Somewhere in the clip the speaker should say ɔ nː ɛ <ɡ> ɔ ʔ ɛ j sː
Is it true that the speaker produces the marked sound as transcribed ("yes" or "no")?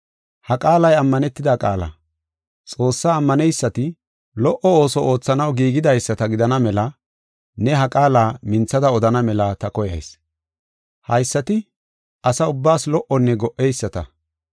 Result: yes